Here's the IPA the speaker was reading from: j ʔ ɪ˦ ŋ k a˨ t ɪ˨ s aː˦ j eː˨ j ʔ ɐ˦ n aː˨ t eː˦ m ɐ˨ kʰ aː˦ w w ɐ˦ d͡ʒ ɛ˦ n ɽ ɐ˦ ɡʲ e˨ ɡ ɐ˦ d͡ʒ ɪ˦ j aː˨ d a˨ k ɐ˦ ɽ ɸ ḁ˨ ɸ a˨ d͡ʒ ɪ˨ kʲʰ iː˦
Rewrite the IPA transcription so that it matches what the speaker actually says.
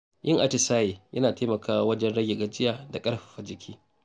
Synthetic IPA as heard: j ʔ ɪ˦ ŋ ʔ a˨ t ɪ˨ s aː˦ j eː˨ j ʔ ɐ˦ n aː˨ t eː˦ m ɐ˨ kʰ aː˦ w w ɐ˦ d͡ʒ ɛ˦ n ɽ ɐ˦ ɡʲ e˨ ɡ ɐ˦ d͡ʒ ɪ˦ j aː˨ d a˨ kʼ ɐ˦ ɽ ɸ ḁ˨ ɸ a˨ d͡ʒ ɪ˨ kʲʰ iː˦